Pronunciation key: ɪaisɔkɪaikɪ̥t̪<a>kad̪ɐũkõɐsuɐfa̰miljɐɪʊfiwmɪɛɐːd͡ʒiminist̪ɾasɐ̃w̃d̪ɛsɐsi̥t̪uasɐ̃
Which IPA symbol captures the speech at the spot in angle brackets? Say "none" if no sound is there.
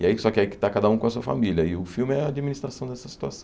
a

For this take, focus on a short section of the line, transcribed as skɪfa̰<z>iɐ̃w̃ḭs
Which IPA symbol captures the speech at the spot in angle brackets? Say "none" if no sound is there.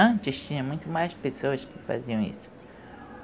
z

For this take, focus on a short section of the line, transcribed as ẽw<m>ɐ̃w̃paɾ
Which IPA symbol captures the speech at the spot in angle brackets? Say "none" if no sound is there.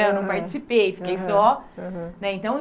n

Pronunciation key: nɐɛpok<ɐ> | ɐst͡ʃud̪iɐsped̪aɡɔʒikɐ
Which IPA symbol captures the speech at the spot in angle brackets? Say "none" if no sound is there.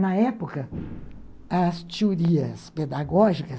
ɐ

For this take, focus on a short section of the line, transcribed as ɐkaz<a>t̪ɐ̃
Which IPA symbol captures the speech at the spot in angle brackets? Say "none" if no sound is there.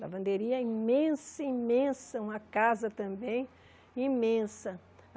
ɐ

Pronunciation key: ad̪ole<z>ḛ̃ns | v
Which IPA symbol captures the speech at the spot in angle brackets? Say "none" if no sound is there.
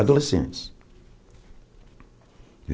s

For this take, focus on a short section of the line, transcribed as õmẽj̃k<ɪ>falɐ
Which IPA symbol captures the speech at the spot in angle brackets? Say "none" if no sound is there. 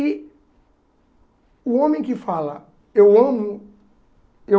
ɪ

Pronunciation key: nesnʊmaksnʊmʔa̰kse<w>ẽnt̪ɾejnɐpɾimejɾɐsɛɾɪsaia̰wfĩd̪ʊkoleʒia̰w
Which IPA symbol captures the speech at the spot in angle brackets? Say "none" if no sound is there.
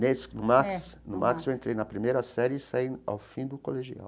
w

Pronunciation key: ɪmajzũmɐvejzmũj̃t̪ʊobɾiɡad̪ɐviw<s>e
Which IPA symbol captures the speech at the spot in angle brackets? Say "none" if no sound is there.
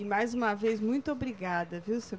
s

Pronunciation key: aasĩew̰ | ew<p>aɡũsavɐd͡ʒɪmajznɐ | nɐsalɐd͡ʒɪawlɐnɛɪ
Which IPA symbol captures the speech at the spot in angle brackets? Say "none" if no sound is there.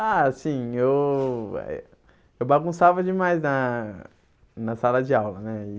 b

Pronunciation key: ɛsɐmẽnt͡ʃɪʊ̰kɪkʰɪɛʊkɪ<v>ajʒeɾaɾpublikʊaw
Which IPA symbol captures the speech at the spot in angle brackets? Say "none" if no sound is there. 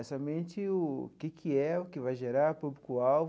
v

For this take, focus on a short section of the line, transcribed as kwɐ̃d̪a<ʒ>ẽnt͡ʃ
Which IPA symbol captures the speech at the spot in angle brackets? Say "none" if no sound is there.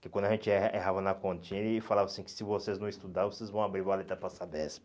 ʒ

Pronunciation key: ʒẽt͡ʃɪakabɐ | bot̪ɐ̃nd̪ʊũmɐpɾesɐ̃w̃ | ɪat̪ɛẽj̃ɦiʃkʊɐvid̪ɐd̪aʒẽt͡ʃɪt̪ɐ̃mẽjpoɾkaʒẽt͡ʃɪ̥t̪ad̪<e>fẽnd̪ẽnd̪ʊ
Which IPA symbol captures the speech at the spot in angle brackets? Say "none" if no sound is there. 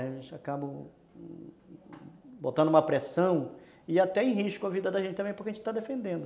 e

